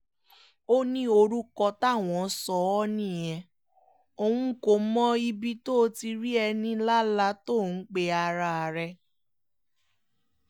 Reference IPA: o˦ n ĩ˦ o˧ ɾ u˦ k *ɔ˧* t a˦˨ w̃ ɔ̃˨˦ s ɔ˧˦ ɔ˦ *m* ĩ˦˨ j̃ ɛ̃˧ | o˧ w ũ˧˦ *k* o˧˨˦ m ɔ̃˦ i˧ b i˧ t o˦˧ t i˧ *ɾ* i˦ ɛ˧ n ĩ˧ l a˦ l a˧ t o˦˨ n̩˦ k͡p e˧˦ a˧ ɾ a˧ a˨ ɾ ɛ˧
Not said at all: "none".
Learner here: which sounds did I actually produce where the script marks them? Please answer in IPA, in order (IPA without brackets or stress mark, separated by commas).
ɔ˧, n, k, ɾ